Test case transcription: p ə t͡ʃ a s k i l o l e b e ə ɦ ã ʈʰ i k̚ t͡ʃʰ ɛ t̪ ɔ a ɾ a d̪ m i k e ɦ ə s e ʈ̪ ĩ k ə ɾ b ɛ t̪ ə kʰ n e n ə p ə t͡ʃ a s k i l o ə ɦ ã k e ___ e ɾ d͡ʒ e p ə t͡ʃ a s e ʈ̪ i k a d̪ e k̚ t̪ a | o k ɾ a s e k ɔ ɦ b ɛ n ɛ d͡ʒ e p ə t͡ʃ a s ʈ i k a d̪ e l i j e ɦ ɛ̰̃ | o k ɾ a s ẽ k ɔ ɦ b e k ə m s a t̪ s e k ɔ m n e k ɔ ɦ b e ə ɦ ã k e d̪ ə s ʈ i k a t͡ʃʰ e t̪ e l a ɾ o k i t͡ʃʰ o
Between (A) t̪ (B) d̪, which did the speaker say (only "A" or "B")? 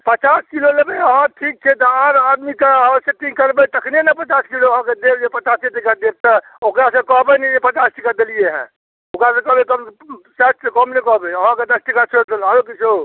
B